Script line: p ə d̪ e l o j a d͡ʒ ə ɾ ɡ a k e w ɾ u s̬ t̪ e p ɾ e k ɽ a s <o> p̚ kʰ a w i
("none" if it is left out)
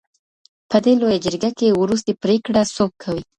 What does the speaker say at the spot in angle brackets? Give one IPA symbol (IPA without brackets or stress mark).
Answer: o